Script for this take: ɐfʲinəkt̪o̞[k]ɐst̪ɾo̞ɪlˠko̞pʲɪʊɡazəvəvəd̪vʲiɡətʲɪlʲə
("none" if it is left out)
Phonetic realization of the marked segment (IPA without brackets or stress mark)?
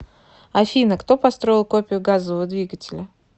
p